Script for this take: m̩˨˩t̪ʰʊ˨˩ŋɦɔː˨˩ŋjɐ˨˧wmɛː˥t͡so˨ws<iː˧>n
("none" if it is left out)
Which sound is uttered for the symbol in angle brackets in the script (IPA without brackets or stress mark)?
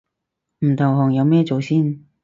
iː˥